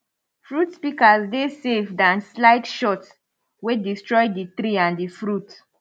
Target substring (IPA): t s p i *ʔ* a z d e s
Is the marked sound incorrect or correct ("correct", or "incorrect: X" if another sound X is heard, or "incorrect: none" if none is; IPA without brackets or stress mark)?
incorrect: k